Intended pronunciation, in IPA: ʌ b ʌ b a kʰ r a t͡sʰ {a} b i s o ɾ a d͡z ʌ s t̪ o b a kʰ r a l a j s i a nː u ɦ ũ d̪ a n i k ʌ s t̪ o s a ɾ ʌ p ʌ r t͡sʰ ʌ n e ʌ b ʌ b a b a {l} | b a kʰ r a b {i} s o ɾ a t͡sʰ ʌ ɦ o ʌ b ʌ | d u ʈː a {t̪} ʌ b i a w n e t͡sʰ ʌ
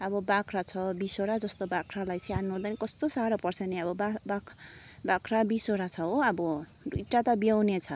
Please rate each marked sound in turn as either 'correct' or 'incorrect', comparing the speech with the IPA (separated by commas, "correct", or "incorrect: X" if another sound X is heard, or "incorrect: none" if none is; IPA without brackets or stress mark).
incorrect: ʌ, incorrect: none, correct, correct